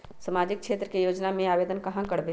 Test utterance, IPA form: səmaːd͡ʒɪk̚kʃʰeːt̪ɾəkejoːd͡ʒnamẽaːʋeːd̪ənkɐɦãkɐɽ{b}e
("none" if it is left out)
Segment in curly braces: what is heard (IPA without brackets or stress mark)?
b